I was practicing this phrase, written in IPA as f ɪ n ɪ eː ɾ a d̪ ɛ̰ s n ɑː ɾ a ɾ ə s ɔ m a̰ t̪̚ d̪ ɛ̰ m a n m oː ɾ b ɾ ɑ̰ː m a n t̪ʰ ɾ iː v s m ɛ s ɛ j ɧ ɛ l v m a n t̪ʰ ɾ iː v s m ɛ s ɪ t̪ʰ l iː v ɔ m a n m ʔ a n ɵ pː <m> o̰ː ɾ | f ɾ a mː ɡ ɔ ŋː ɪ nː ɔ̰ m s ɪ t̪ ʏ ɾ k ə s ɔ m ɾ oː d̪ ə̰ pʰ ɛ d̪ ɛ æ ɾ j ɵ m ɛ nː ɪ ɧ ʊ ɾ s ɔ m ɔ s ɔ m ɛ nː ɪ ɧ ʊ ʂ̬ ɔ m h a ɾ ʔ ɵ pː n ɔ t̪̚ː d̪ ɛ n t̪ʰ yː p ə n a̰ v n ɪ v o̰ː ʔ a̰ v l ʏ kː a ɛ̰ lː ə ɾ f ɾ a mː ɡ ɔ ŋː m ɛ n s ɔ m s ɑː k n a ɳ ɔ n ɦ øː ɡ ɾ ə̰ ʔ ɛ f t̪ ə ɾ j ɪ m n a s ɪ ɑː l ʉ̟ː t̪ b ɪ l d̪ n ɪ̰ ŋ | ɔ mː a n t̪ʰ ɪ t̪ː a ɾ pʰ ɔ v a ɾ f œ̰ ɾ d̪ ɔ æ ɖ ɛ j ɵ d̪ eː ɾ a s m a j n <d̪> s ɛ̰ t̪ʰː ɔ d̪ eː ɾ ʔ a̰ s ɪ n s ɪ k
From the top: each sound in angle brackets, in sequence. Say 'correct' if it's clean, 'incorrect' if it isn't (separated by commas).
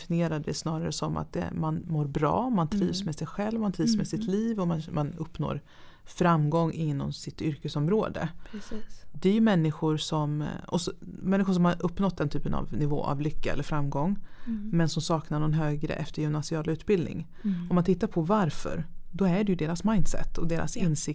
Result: incorrect, correct